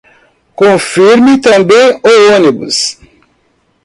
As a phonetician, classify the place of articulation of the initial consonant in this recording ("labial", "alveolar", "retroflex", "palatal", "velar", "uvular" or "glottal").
velar